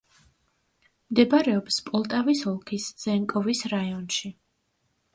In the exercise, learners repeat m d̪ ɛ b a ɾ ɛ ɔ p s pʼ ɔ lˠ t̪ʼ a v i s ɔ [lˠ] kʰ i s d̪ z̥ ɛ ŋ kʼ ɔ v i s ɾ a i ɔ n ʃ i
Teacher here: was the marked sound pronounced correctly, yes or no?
yes